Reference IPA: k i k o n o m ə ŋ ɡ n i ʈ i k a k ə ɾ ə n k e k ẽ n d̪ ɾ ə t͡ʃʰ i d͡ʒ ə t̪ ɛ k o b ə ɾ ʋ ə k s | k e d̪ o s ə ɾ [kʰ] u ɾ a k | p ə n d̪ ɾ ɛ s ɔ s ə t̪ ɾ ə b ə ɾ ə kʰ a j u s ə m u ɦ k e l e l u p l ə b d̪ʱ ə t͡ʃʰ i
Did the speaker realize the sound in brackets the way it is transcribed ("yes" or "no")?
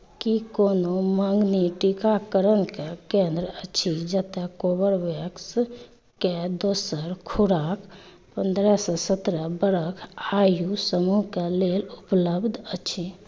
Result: yes